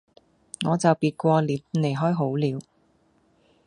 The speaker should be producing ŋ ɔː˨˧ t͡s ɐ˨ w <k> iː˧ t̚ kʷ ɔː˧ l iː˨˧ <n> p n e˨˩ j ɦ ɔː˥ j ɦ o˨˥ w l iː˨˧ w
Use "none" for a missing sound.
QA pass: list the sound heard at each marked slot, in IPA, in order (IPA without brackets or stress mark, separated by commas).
p, none